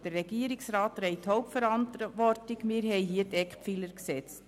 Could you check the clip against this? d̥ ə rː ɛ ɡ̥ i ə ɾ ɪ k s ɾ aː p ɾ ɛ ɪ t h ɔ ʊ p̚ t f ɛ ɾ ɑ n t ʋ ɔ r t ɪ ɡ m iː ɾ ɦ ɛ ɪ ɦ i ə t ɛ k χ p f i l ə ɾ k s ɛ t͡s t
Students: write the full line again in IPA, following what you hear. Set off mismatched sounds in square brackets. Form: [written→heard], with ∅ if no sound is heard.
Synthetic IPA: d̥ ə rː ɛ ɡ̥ i ə ɾ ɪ k s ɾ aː [p→t] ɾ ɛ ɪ t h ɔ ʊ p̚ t f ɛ ɾ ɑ n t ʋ ɔ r t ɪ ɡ m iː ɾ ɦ ɛ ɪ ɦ i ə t ɛ k χ p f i l ə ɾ k s ɛ t͡s t